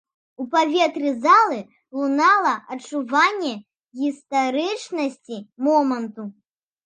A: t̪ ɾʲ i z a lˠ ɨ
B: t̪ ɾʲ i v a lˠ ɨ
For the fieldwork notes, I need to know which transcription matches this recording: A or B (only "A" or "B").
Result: A